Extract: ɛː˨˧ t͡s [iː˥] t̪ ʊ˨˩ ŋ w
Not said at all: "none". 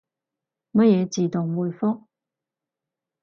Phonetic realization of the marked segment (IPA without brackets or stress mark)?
iː˨˩